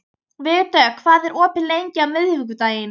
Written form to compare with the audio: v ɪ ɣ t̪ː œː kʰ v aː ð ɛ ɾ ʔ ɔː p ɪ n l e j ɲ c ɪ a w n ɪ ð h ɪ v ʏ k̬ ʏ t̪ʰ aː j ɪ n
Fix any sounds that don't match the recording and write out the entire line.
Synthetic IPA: v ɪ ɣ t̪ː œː kʰ v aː ð ɛ ɾ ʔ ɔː p ɪ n l e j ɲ c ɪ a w m ɪ ð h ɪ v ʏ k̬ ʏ t̪ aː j ɪ n